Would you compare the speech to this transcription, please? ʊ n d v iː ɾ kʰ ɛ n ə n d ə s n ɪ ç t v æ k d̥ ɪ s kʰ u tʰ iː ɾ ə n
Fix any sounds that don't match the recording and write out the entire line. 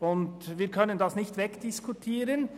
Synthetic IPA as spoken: ʊ n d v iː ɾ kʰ œ n ə n d ɑ s n ɪ ç t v ɛ k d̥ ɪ s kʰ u tʰ iː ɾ ə n